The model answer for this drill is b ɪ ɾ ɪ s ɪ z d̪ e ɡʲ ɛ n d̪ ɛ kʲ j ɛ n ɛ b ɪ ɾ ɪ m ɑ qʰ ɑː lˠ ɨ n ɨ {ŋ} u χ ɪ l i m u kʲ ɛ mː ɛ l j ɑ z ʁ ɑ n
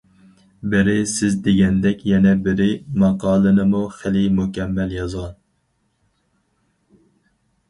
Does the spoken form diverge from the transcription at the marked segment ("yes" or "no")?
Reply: yes